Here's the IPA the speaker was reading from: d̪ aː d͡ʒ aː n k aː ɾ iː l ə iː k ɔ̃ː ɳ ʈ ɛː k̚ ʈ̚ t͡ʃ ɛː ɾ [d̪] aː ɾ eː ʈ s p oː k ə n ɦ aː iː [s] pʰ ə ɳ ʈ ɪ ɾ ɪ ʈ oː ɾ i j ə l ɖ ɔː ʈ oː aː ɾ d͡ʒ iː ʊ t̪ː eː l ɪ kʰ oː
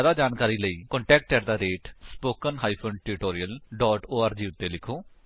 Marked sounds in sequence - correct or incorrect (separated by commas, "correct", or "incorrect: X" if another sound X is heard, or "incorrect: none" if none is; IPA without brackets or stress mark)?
correct, incorrect: none